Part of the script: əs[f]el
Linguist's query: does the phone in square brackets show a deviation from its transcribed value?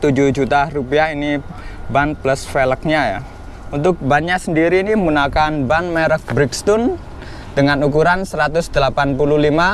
no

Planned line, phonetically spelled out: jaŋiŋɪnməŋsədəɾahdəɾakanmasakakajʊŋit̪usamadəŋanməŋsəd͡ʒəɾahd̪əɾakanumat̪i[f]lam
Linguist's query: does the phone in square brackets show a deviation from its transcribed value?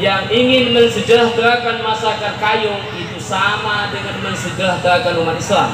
yes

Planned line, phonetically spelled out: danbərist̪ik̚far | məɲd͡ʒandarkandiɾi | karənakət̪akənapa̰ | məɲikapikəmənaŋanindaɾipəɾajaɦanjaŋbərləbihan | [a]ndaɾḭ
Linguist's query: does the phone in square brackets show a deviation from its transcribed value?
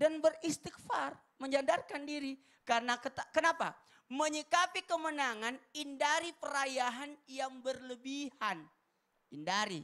yes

